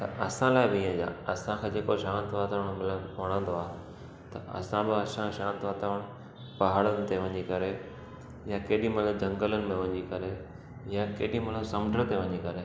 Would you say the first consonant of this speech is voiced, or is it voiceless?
voiceless